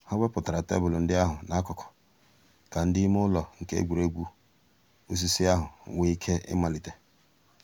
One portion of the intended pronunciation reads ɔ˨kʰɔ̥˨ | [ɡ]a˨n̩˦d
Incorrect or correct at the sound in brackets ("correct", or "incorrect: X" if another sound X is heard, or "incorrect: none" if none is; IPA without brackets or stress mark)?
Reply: incorrect: k